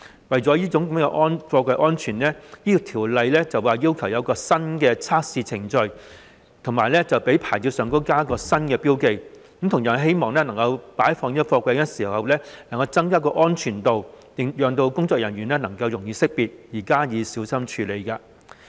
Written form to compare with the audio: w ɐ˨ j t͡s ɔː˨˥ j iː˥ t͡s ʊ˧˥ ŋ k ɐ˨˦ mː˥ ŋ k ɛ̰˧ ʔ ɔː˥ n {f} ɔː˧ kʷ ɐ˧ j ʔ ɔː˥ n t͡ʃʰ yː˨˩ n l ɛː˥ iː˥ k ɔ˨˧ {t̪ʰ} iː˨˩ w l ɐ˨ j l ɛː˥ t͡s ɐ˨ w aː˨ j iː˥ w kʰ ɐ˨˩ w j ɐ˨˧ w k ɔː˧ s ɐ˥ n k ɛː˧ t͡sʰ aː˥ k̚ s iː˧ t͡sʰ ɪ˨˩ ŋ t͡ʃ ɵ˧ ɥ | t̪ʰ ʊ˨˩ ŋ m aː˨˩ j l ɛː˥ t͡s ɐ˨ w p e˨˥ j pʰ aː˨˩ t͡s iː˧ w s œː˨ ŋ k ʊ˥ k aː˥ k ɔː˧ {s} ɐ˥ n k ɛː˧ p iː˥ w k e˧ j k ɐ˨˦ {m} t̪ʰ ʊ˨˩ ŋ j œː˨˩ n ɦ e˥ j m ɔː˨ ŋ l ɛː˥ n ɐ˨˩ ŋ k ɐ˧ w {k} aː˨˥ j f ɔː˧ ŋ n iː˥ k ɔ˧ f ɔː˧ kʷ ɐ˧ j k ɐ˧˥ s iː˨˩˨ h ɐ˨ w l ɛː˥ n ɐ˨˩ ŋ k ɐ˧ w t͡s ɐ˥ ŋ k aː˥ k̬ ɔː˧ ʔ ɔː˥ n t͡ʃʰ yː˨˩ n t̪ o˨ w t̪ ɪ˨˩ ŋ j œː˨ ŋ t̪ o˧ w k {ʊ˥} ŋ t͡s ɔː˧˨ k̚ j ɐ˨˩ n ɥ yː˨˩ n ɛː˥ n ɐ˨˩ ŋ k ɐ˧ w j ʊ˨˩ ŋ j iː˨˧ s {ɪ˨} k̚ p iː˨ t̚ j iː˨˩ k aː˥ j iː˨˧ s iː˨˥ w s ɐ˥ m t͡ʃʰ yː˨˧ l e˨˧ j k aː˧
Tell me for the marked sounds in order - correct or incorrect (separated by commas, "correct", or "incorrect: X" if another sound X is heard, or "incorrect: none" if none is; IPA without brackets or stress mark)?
correct, correct, correct, correct, incorrect: p, correct, incorrect: ɪ˥